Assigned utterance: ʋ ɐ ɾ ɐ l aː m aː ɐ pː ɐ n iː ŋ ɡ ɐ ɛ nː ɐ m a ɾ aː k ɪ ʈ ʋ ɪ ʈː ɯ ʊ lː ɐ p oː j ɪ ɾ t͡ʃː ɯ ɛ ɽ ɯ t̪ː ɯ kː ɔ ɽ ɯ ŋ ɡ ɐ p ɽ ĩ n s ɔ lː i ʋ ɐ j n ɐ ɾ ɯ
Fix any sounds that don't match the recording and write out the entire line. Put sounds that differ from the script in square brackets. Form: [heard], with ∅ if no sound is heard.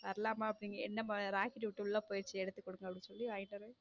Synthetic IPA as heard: ʋ ɐ ɾ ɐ l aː m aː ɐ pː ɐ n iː ŋ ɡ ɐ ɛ nː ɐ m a ɾ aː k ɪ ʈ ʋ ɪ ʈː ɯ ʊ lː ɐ p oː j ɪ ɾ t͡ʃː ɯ ɛ ɽ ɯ t̪ː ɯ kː ɔ ɽ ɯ ŋ ɡ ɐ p ɽ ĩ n s ɔ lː i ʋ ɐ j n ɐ ɾ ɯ